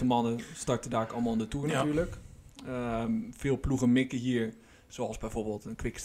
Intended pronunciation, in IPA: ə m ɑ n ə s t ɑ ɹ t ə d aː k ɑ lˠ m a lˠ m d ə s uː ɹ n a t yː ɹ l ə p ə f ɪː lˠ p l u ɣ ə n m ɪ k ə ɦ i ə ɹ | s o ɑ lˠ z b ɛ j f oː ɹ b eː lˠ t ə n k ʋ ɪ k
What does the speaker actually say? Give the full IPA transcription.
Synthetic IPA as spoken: ə m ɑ n ə s t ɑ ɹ t ə d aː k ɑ lˠ m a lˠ n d ə t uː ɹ n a t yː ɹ l ə k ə f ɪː lˠ p l u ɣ ə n m ɪ k ə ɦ i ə ɹ | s o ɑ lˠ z b ɛ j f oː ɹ b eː lˠ t ə n k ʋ ɪ k